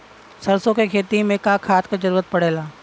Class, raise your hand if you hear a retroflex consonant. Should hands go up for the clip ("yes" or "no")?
yes